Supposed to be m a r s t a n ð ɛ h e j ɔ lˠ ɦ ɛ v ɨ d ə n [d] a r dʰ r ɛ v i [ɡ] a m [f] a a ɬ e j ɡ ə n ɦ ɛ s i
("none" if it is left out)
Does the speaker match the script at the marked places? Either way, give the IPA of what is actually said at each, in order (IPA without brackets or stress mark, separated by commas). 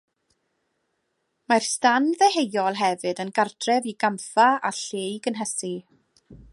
ɡ, ɡ, f